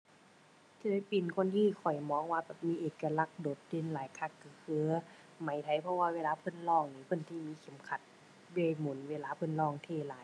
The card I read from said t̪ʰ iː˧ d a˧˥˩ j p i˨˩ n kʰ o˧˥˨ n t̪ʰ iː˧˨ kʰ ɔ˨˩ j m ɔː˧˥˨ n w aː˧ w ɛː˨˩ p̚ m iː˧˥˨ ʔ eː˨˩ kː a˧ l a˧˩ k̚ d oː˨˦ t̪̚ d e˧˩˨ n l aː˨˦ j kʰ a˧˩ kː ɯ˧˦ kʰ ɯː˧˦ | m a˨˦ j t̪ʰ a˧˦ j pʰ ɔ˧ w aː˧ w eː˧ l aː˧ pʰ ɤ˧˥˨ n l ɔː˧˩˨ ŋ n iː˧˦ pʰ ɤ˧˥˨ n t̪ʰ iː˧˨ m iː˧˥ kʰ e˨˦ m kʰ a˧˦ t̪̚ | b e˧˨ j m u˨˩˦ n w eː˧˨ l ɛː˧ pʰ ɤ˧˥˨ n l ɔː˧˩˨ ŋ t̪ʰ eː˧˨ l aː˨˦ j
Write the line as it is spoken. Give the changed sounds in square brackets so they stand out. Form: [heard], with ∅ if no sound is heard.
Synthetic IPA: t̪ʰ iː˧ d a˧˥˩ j p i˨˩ n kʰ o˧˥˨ n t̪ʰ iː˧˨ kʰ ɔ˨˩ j m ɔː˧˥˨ [ŋ] w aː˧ [b] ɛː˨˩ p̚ m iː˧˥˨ ʔ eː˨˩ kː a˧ l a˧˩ k̚ d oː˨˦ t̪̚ d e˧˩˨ n l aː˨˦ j kʰ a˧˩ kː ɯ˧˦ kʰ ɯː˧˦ | m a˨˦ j t̪ʰ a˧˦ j pʰ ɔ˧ w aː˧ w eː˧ l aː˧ pʰ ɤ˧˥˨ n l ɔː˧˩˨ ŋ n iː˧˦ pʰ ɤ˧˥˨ n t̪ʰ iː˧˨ m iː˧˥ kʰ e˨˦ m kʰ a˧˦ t̪̚ | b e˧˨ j m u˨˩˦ n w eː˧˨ l [aː˧] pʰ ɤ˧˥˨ n l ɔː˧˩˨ ŋ t̪ʰ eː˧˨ l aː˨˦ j